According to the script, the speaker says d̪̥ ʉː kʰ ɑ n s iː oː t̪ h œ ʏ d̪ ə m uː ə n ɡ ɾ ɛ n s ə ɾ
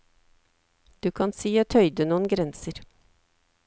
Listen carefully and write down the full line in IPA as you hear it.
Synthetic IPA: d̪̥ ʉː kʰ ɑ n s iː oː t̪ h œ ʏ d̪ ə n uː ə n ɡ ɾ ɛ n s ə ɾ